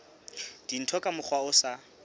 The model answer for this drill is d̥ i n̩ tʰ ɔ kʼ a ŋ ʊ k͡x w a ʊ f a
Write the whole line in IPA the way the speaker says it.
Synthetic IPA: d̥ i n̩ tʰ ɔ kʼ a m ʊ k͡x w a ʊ s a